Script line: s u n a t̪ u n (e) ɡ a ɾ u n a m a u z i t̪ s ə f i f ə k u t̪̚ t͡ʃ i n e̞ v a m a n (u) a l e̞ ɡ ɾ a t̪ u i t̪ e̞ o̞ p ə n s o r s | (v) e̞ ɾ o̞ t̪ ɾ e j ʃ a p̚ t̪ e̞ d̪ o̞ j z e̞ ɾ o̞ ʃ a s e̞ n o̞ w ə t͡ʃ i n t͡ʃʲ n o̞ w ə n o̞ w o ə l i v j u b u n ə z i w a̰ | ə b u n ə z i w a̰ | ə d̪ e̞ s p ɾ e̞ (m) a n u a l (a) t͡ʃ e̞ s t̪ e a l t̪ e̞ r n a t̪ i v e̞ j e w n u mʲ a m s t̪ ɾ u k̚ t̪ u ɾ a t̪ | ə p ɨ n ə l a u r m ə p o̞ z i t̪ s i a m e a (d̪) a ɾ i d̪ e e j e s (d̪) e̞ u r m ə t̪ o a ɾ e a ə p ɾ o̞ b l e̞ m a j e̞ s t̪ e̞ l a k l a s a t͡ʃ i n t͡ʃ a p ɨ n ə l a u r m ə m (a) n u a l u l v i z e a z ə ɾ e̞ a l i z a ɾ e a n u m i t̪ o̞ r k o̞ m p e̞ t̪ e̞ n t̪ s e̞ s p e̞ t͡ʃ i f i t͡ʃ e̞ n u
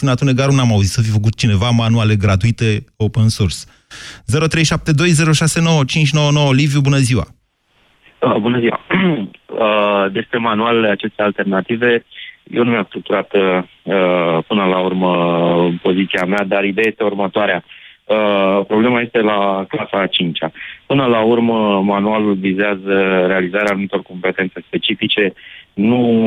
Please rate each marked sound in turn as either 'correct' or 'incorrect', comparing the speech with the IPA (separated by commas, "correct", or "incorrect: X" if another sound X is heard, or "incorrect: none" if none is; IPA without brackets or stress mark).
correct, correct, incorrect: z, correct, correct, correct, incorrect: t̪, correct